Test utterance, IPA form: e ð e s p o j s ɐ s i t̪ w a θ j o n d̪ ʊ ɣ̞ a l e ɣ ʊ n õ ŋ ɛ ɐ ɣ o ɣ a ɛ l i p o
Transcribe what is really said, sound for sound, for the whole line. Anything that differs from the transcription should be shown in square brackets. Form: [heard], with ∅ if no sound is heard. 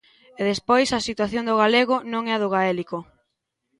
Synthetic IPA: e ð e s p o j s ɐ s i t̪ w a θ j o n d̪ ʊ ɣ̞ a l e ɣ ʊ n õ ŋ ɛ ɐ [ð] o ɣ a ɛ l i [k] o